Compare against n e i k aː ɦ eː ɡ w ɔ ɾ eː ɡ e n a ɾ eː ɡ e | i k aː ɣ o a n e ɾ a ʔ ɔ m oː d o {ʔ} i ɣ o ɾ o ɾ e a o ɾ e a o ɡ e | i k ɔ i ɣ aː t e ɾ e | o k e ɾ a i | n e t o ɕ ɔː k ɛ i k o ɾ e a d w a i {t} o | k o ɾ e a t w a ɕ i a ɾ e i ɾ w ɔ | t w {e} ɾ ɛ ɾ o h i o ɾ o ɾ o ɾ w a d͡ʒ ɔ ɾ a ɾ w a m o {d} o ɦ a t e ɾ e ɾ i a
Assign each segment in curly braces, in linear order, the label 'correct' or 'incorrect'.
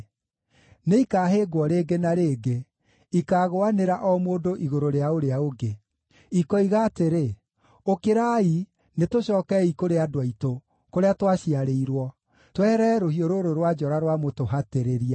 correct, correct, incorrect: ɛ, incorrect: t

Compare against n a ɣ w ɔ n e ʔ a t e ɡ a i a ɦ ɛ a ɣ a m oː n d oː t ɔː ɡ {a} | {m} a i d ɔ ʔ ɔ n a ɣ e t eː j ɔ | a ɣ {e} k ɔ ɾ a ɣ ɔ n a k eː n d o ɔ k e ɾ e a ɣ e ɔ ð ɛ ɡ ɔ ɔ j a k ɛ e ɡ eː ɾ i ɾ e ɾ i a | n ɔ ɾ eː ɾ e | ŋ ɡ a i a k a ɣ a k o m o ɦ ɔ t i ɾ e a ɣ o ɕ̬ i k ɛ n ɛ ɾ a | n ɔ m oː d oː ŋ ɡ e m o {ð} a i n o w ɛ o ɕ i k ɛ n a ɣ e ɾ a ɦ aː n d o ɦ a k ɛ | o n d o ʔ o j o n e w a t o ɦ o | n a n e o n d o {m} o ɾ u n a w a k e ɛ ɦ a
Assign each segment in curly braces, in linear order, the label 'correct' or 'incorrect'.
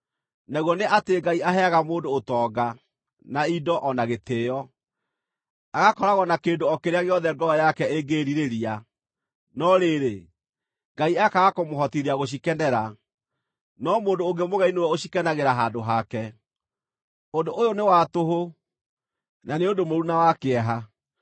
correct, incorrect: n, incorrect: a, incorrect: ɣ, correct

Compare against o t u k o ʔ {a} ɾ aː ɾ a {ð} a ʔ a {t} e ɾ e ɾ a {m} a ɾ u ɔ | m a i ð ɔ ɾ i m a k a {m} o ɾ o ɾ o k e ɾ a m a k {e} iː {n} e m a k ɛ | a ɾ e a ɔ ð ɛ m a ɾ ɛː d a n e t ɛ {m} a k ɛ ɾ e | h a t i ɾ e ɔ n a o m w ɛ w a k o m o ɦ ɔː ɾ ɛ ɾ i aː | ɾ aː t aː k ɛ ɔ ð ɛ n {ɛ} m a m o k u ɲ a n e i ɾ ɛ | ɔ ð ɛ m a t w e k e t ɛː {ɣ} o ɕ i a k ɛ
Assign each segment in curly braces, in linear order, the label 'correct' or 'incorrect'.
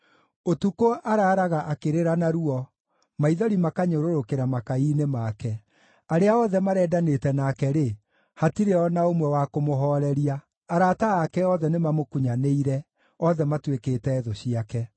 correct, incorrect: ɣ, incorrect: k, incorrect: n, incorrect: ɲ, incorrect: a, correct, incorrect: n, incorrect: e, incorrect: ð

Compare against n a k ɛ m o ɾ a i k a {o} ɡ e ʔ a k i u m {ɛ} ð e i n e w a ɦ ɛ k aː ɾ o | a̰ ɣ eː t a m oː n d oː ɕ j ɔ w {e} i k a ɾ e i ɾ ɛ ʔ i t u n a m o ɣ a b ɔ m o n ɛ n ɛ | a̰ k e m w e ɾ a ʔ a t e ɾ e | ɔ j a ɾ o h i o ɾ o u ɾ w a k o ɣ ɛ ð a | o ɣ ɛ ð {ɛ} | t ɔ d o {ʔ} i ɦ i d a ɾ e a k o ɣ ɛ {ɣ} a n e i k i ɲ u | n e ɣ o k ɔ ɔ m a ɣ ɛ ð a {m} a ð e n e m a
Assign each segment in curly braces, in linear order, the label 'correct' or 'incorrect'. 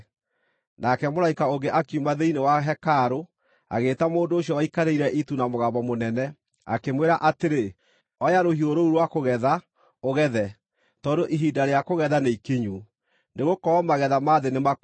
correct, incorrect: a, incorrect: a, correct, correct, incorrect: ð, correct

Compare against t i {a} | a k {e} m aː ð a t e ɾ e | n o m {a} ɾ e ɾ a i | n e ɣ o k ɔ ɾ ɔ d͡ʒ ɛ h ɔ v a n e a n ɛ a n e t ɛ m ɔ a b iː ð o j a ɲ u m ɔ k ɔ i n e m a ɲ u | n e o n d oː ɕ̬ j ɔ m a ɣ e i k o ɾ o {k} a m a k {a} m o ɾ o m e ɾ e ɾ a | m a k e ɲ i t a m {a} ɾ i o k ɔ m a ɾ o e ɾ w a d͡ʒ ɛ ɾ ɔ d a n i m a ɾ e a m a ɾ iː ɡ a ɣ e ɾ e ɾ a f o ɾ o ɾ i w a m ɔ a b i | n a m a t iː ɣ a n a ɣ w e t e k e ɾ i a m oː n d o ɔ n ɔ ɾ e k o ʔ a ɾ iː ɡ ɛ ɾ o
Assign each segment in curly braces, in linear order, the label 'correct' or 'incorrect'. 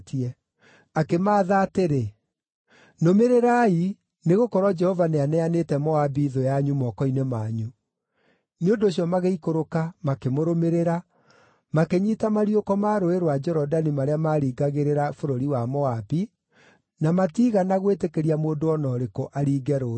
incorrect: ɛ, correct, incorrect: e, correct, incorrect: e, correct

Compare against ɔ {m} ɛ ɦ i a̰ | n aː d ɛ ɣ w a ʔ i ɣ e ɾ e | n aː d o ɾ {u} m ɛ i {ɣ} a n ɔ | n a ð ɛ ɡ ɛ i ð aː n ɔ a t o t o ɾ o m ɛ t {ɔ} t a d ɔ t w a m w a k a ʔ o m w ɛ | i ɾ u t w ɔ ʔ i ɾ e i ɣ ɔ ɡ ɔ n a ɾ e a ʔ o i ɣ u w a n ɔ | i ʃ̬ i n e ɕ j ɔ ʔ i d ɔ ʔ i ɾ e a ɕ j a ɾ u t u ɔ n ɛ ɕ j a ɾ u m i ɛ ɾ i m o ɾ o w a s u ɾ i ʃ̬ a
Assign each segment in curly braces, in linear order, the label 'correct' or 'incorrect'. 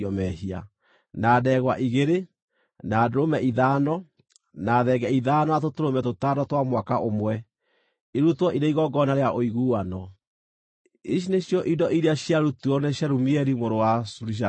correct, incorrect: o, incorrect: ð, incorrect: o

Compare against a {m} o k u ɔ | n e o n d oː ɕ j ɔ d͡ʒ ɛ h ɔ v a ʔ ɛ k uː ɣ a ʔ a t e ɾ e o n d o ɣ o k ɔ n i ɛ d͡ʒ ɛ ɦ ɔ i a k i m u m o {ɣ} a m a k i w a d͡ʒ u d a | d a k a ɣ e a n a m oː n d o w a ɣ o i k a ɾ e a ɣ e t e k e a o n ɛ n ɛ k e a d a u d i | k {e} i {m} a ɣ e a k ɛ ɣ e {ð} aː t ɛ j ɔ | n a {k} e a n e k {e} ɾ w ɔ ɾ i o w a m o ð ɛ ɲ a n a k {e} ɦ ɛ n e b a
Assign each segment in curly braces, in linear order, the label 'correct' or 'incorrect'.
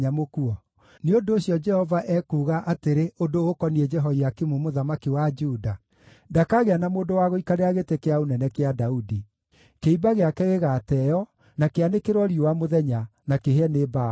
correct, incorrect: ð, correct, incorrect: b, incorrect: ɣ, correct, correct, correct

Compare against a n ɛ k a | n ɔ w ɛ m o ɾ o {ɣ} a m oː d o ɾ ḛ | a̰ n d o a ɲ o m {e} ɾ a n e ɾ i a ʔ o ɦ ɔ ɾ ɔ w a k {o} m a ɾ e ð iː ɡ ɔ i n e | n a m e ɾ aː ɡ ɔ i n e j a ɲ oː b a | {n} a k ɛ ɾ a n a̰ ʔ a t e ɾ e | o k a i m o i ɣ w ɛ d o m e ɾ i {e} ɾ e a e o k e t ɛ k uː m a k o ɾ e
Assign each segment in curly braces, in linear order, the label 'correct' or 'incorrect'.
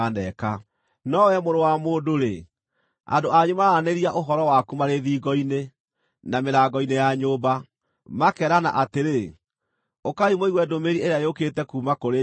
incorrect: w, incorrect: a, incorrect: u, incorrect: m, correct

